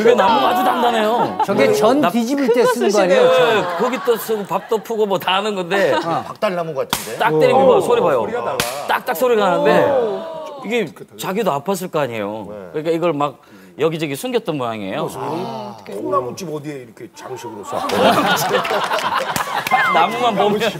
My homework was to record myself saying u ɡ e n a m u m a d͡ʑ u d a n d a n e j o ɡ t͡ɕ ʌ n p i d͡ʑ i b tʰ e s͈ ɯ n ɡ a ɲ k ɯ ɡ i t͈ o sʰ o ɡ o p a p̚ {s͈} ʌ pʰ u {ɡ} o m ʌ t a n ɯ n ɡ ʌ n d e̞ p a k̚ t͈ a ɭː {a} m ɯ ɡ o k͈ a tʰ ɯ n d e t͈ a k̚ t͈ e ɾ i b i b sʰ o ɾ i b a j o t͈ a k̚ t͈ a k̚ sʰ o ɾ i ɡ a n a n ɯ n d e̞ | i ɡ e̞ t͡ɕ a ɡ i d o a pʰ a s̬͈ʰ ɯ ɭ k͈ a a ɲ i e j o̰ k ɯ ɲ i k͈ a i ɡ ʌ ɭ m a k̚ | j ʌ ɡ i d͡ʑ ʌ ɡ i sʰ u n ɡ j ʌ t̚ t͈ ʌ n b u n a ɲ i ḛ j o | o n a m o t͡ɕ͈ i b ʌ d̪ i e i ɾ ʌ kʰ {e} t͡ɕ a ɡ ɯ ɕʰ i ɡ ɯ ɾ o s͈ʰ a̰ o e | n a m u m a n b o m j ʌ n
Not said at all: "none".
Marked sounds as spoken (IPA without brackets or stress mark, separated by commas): t͈, ɡ, a, e